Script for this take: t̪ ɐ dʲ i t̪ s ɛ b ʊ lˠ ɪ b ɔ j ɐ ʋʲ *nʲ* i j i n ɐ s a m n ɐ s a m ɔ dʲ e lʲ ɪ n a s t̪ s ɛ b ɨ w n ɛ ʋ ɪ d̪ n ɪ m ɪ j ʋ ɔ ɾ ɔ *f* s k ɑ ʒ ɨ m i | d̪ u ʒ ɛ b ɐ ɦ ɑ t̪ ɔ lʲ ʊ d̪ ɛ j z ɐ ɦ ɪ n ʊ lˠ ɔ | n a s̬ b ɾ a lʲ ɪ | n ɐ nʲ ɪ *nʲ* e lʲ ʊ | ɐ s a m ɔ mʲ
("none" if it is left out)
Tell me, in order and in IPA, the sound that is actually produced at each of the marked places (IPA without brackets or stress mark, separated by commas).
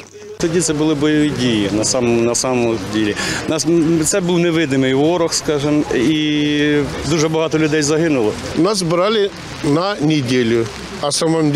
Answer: dʲ, x, dʲ